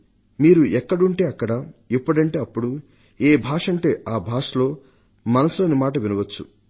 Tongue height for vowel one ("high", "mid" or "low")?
high